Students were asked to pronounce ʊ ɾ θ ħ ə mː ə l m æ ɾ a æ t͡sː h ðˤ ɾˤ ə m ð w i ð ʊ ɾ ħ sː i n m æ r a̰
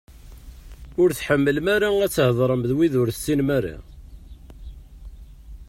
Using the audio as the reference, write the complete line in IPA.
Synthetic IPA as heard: ʊ ɾ θ ħ ə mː ə l m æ ɾ a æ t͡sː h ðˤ ɾˤ ə m ð w i ð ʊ ɾ θ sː i n m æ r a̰